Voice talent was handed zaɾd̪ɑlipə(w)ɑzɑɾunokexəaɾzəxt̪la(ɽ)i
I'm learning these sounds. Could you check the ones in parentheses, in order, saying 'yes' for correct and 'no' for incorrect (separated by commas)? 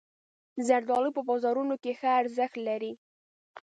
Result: no, no